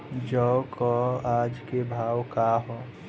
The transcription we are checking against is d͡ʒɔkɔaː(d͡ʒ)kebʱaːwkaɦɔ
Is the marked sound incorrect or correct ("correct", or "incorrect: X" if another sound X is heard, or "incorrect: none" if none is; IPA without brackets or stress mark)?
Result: correct